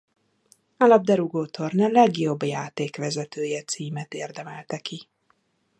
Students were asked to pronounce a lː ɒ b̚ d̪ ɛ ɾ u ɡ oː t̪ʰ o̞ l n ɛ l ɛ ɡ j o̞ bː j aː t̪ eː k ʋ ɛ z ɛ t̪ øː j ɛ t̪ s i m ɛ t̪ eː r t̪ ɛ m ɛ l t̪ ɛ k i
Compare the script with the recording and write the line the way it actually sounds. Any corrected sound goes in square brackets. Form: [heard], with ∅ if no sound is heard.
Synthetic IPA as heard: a [l] ɒ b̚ d̪ ɛ ɾ u ɡ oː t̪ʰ o̞ [r] n ɛ l ɛ ɡ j o̞ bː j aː t̪ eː k ʋ ɛ z ɛ t̪ øː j ɛ t̪ s [iː] m ɛ t̪ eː r [d̪] ɛ m ɛ l t̪ ɛ k i